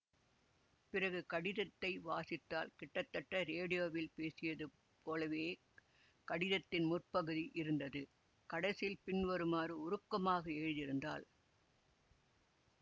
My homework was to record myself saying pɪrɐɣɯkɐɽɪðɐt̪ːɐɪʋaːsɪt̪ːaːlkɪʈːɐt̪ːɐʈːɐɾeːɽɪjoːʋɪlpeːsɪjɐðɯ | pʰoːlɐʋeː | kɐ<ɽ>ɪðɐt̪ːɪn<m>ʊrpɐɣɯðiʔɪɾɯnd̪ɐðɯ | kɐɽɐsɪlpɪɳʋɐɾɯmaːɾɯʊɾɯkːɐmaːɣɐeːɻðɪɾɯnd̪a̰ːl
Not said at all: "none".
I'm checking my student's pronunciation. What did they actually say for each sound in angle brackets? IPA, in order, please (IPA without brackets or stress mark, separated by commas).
ɽ, m